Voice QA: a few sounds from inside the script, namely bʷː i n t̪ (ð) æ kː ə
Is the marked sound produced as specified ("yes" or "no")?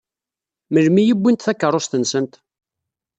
no